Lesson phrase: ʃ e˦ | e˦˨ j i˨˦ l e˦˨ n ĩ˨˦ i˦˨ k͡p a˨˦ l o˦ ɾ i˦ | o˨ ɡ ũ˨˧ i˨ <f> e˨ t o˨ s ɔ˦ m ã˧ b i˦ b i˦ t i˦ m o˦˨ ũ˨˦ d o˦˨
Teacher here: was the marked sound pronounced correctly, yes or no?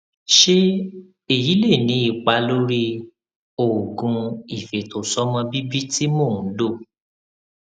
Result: yes